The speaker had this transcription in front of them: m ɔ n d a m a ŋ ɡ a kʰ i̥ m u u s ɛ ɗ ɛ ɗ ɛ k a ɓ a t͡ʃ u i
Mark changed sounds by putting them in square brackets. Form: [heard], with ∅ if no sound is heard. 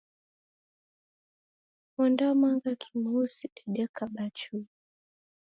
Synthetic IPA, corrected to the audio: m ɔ n d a m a ŋ ɡ a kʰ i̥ m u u s [i] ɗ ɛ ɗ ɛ k a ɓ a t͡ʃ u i